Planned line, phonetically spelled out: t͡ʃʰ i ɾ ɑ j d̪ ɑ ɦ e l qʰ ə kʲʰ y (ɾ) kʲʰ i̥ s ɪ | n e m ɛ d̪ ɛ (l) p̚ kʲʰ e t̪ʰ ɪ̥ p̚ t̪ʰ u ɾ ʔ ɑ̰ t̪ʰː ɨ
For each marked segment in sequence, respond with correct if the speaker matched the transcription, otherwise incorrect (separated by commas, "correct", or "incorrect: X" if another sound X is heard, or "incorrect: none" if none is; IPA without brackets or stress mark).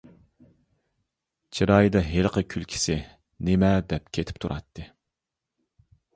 incorrect: l, incorrect: none